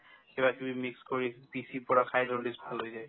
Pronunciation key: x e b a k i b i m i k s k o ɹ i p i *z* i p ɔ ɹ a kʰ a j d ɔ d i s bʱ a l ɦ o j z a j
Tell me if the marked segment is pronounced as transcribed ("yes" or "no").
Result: no